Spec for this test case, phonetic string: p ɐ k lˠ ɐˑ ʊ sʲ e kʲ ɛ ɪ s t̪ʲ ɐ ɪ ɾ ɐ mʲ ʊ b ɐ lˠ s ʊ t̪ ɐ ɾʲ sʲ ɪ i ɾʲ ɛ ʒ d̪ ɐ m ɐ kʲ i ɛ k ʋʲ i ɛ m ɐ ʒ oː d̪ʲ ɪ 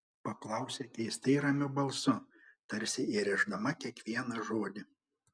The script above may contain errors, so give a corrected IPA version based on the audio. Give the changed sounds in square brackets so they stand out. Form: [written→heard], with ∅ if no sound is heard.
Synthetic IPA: p ɐ k lˠ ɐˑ ʊ sʲ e kʲ ɛ ɪ s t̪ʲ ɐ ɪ ɾ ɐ mʲ ʊ b ɐ lˠ s ʊ t̪ ɐ ɾʲ sʲ ɪ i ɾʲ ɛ ʒ d̪ ɐ m ɐ kʲ i ɛ k ʋʲ i ɛ [m→n] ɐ ʒ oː d̪ʲ ɪ